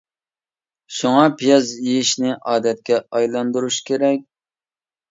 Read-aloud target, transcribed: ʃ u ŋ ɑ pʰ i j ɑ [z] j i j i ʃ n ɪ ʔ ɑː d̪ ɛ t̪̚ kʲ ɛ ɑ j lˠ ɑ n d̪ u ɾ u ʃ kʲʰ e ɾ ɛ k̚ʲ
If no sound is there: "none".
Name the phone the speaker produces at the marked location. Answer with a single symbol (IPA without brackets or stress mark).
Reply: z